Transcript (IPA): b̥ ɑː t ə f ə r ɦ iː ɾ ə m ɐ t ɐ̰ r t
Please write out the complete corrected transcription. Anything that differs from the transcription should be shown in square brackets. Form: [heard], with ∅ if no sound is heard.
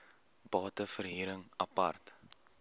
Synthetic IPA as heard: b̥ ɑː t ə f ə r ɦ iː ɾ ə [ŋ] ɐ [p] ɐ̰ r t